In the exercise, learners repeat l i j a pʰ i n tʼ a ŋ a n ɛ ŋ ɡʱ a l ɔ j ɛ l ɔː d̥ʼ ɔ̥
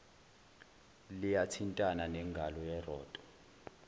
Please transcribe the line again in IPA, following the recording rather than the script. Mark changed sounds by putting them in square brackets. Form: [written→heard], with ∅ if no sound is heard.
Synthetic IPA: l i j a [pʰ→tʰ] i n tʼ a [ŋ→n] a n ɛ ŋ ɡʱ a l ɔ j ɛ [l→r] ɔː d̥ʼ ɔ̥